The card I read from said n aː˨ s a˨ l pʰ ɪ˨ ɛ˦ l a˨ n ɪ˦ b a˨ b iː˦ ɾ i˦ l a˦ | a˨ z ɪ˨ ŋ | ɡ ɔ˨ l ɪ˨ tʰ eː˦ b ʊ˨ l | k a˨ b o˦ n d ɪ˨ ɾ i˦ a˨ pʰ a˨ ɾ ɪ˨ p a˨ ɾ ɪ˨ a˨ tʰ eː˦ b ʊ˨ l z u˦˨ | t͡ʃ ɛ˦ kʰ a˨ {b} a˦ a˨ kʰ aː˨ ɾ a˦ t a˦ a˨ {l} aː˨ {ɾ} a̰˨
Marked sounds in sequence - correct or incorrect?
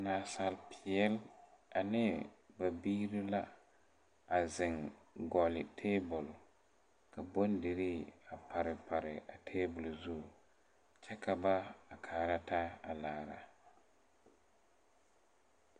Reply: correct, correct, correct

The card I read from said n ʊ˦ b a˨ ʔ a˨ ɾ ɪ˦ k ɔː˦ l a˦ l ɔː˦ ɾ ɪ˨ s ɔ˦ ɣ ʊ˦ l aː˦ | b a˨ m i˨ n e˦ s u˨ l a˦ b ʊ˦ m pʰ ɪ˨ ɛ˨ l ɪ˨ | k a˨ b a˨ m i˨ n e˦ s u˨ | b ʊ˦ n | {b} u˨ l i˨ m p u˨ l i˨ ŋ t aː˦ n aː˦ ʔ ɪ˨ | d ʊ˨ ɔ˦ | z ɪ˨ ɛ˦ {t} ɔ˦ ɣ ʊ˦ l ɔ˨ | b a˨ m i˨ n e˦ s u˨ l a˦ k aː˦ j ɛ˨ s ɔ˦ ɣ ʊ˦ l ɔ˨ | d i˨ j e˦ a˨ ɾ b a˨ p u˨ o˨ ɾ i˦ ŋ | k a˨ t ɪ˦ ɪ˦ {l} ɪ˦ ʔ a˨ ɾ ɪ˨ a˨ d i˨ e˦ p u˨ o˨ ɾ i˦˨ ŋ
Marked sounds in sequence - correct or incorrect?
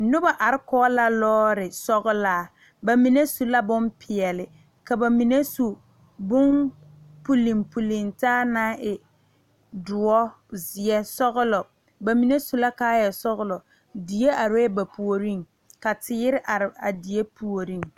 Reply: incorrect: p, incorrect: s, incorrect: ɾ

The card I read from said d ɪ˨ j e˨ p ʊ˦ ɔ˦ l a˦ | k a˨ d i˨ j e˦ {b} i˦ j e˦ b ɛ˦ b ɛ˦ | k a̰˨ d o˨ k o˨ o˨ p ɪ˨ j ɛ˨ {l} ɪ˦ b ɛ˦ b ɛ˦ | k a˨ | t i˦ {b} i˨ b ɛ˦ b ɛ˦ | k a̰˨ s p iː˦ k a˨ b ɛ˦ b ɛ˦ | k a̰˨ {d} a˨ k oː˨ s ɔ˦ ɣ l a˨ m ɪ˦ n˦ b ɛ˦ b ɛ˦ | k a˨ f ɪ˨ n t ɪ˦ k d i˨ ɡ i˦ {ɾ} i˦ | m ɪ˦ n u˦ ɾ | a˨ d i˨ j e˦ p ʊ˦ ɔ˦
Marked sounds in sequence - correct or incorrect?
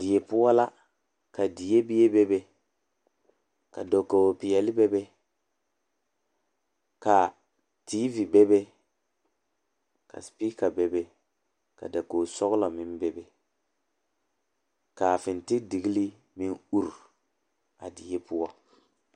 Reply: correct, correct, incorrect: v, correct, incorrect: l

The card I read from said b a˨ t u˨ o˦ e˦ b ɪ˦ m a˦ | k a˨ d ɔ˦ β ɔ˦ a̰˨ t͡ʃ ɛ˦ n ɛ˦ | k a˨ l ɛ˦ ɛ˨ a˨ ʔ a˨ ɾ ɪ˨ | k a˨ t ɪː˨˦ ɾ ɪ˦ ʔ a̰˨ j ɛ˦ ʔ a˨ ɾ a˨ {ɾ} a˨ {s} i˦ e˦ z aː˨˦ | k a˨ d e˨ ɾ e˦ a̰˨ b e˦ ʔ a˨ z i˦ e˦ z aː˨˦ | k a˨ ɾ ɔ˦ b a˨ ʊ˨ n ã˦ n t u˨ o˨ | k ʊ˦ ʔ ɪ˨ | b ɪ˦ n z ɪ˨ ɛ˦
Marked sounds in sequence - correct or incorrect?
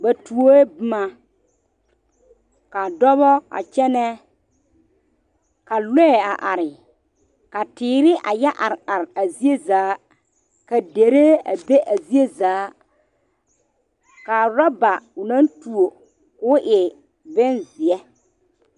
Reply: correct, incorrect: z

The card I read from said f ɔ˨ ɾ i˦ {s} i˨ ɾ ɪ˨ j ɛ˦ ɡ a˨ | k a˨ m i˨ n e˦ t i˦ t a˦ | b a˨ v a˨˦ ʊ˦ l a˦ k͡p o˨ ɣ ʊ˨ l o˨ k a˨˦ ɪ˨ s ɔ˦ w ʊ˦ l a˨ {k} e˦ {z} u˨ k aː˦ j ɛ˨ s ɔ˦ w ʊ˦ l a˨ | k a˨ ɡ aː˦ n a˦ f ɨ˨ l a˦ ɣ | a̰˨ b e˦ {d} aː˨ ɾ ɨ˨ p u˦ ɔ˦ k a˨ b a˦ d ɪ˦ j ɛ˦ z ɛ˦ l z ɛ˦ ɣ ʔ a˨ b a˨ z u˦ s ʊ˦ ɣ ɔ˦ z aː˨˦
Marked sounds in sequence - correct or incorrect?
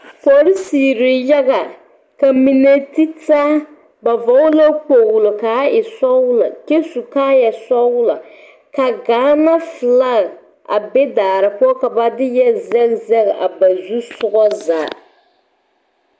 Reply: correct, correct, incorrect: s, correct

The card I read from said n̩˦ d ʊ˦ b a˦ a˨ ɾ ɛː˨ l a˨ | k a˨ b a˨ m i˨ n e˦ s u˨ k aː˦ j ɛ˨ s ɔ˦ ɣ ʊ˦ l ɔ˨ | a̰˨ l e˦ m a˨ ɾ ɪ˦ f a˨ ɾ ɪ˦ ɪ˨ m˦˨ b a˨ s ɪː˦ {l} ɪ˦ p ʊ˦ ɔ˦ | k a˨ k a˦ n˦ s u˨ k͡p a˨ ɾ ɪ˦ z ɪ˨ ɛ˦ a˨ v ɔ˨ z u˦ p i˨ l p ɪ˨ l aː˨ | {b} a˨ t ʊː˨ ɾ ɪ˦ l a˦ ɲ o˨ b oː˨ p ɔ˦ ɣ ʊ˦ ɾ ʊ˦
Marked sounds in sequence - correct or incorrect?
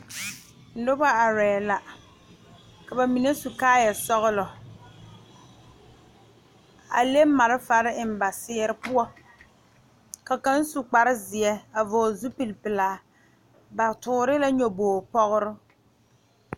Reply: incorrect: ɾ, correct

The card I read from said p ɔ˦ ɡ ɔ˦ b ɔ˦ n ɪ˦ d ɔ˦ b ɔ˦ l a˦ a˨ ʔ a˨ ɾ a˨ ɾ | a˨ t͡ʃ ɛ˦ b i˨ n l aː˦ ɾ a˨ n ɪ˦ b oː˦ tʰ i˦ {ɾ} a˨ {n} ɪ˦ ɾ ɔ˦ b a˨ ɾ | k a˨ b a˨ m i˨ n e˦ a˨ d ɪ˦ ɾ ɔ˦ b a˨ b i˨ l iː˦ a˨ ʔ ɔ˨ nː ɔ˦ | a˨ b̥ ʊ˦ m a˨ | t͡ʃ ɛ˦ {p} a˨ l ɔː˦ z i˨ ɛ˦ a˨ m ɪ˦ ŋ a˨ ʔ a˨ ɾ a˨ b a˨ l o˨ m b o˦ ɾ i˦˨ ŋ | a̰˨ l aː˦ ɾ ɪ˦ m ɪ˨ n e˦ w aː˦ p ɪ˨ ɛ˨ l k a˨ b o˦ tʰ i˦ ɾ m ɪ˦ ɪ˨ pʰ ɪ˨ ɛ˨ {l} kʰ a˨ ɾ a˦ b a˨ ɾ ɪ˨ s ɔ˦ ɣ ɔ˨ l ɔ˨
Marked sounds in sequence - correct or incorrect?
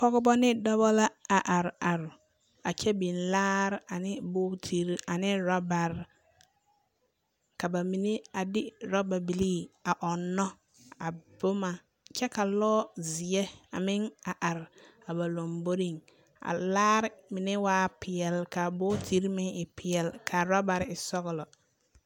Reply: correct, correct, incorrect: k, correct

